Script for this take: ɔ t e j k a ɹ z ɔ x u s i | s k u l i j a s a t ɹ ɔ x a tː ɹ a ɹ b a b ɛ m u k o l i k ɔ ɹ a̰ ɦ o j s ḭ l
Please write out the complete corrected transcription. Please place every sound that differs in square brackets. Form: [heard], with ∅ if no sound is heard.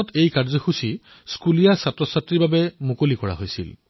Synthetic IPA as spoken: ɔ t e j k a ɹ z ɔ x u s i | s k u l i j a s a t ɹ ɔ [s] a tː ɹ [i] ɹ b a b ɛ m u k o l i k ɔ ɹ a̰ ɦ o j s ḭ l